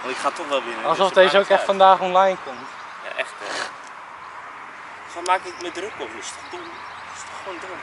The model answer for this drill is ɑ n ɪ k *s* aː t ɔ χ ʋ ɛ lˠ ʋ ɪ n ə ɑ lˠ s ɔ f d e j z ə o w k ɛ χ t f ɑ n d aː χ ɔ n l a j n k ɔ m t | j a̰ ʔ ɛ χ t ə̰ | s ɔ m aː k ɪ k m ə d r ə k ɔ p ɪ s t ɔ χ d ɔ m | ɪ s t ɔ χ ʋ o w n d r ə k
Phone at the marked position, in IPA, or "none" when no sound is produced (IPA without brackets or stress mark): χ